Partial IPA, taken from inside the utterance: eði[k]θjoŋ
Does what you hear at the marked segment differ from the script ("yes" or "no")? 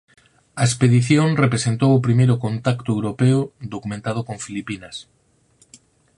yes